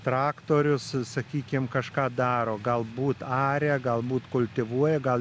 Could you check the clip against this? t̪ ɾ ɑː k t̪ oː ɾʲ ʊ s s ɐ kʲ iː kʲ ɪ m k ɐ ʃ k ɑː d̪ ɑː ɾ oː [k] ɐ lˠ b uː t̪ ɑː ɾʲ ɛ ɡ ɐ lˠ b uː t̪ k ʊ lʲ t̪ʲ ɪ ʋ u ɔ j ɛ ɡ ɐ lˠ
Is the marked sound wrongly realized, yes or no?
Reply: yes